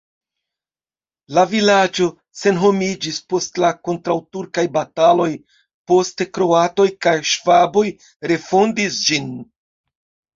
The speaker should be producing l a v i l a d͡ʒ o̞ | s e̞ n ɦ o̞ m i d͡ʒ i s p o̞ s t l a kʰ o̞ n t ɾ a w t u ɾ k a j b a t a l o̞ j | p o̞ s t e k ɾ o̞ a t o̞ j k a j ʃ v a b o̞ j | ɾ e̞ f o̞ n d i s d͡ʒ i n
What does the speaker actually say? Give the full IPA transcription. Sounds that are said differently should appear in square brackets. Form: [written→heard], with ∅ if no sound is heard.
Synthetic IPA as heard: l a v i l a d͡ʒ o̞ | s e̞ n ɦ o̞ m i d͡ʒ i s p o̞ s t l a [kʰ→k] o̞ n t ɾ a w t u ɾ k a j b a t a l o̞ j | p o̞ s t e k ɾ o̞ a t o̞ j k a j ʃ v a b o̞ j | ɾ e̞ f o̞ n d i s d͡ʒ i n